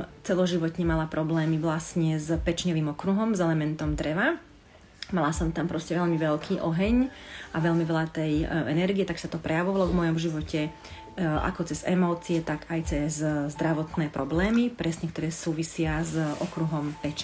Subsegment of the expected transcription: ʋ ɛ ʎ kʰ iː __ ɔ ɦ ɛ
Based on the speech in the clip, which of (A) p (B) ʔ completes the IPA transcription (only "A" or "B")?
B